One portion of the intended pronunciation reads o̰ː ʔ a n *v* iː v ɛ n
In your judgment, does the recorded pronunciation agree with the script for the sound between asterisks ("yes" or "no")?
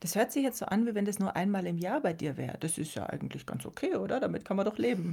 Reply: yes